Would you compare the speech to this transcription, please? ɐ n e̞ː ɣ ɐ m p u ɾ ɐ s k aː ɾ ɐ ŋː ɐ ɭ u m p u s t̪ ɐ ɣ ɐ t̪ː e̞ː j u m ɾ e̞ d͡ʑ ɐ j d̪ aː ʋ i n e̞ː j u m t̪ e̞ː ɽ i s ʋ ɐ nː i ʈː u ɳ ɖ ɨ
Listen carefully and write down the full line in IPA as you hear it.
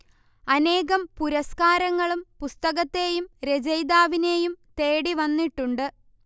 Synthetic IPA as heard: ɐ n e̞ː ɣ ɐ m p u ɾ ɐ s k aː ɾ ɐ ŋː ɐ ɭ u m p u s t̪ ɐ ɣ ɐ t̪ː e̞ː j u m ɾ e̞ d͡ʑ ɐ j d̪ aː ʋ i n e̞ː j u m t̪ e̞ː ɽ i ʋ ɐ nː i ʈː u ɳ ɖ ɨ